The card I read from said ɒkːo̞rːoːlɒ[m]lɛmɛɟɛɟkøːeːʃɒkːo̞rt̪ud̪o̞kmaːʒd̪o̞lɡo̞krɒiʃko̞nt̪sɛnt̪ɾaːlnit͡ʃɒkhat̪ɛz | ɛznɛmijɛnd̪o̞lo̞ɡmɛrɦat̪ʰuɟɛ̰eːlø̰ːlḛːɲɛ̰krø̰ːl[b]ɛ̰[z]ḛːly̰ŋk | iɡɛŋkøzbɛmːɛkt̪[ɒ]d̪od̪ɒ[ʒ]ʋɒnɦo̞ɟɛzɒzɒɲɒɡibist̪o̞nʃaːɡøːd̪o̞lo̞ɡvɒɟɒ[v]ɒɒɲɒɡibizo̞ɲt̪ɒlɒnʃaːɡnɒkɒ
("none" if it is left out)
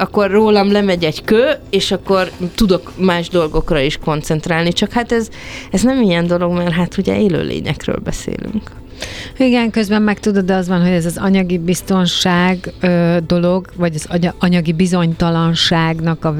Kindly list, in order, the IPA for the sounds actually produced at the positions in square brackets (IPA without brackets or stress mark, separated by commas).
m, b, s, u, z, z